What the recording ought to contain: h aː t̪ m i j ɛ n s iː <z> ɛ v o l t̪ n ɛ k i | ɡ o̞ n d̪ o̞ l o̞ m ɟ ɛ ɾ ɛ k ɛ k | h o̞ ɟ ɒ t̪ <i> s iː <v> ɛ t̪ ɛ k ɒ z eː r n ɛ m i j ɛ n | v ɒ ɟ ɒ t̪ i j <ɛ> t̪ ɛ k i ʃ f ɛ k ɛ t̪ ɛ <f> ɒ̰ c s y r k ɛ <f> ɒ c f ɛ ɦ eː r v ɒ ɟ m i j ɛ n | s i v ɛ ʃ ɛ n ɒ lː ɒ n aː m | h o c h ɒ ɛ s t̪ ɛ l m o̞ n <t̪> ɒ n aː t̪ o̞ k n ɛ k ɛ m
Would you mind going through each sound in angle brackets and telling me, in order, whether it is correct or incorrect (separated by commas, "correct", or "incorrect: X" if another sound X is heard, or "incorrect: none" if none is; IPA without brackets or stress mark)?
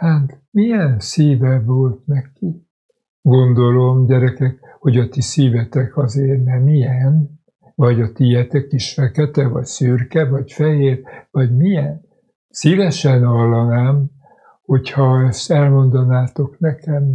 incorrect: v, correct, correct, correct, incorrect: v, incorrect: v, incorrect: d̪